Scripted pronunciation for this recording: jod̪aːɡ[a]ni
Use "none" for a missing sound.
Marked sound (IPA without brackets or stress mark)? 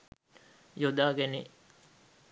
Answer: e